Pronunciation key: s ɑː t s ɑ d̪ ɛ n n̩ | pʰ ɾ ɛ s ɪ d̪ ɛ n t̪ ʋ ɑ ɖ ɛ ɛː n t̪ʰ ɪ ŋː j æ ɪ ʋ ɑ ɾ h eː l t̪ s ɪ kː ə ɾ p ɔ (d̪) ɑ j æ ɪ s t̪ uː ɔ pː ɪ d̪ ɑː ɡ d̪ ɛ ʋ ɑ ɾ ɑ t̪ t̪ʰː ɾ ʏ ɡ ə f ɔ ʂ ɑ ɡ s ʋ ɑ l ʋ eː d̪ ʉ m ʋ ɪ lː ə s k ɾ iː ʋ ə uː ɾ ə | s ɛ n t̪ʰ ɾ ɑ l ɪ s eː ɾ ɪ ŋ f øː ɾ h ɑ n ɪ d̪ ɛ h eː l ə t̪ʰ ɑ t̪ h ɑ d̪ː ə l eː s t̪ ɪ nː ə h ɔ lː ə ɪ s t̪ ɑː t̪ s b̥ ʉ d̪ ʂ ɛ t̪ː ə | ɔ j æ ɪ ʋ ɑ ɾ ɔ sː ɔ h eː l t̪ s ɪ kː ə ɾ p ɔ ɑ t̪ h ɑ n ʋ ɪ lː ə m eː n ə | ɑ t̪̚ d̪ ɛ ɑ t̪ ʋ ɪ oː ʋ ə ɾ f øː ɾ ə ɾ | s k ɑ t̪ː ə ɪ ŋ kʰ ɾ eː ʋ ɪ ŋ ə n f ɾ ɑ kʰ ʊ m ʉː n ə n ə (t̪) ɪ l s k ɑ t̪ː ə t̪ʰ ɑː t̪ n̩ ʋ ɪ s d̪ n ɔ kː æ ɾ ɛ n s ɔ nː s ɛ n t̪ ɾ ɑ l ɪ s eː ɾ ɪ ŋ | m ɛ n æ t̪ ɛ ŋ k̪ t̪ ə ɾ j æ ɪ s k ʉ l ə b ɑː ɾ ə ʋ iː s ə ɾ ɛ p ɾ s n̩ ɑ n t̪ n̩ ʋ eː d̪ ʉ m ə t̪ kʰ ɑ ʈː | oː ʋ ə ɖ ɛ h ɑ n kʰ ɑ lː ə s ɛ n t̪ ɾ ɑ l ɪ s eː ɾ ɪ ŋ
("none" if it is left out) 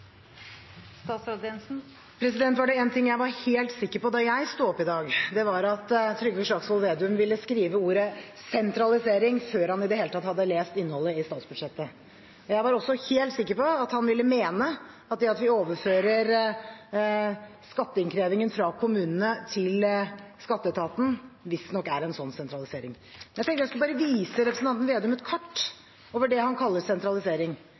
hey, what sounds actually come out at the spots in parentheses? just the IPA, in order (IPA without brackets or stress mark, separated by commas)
d̪, t̪ʰ